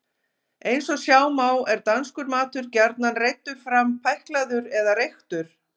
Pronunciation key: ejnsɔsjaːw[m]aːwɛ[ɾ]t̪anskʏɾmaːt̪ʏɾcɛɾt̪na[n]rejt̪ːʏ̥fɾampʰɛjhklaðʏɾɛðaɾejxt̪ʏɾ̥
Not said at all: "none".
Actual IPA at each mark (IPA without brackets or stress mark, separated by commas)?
m, ɾ, n